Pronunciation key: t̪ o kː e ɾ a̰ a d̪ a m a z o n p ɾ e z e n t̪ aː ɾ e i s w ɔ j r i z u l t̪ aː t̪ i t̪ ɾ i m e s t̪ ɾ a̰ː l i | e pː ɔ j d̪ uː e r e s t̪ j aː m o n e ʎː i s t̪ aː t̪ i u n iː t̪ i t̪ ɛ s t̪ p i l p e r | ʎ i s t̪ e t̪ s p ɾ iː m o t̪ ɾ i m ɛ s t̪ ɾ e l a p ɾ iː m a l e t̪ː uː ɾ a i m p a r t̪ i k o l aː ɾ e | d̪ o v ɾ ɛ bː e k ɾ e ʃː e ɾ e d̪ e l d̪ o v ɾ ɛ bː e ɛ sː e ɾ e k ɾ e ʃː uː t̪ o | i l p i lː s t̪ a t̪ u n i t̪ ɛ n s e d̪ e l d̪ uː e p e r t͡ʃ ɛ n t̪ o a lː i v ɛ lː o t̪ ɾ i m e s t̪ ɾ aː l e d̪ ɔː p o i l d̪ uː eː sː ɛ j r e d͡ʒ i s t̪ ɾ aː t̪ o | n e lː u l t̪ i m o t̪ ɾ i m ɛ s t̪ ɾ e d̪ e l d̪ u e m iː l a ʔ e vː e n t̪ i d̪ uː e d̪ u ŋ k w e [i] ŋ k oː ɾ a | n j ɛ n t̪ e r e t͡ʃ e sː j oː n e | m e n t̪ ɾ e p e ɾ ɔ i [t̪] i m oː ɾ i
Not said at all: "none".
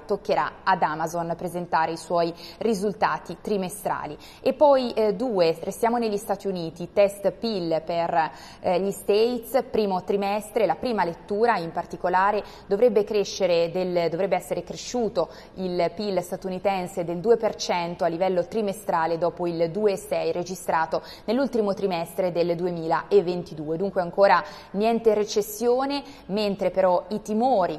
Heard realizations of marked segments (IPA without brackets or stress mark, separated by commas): a, t̪